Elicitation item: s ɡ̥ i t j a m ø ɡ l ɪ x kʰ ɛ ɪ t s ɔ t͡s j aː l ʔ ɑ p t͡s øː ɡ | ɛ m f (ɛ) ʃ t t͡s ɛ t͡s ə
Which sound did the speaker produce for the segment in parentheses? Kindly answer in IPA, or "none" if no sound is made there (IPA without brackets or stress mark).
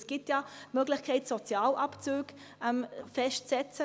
ɛ